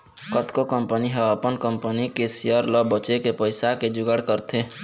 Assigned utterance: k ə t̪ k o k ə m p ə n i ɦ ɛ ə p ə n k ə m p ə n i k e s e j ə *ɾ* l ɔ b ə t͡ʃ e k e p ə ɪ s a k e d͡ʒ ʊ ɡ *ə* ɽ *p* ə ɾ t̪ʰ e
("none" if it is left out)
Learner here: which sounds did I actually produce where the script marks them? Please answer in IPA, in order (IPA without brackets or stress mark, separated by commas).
ɾ, ə, k